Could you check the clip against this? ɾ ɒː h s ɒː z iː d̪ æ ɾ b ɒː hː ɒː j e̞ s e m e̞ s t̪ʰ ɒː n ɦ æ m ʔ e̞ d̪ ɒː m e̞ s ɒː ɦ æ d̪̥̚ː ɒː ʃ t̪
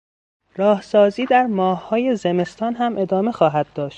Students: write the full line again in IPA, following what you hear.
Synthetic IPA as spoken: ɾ ɒː h s ɒː z iː d̪ æ ɾ m ɒː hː ɒː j e̞ z e m e̞ s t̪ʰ ɒː n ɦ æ m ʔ e̞ d̪ ɒː m e̞ x ɒː ɦ æ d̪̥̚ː ɒː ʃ t̪